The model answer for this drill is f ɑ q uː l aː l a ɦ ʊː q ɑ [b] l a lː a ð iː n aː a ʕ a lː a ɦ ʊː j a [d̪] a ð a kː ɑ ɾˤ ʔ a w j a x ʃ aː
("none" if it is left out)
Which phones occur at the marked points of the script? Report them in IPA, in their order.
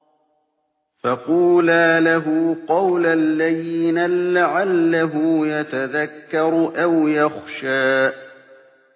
w, t̪

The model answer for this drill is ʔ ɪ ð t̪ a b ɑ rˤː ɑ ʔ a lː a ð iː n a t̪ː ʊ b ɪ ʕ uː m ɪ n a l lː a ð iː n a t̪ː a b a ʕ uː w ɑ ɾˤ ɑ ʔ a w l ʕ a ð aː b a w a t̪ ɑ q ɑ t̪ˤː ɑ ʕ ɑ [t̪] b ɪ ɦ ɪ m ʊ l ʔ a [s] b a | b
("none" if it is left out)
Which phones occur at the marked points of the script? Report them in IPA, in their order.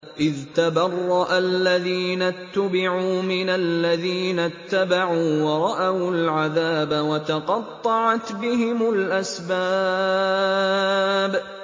t̪, s

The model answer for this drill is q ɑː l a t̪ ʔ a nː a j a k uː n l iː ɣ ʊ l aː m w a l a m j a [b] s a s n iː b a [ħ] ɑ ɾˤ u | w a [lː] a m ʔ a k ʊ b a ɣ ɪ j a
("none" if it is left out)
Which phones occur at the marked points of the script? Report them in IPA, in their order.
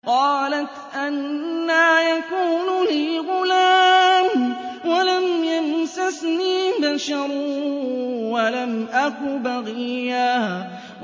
m, ʃ, l

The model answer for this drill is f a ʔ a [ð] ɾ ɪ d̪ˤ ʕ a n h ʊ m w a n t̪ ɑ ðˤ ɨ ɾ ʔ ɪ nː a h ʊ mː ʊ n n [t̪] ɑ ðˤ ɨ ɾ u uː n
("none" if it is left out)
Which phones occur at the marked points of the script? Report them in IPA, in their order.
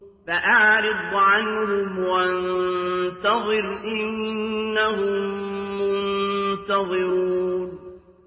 ʕ, t̪

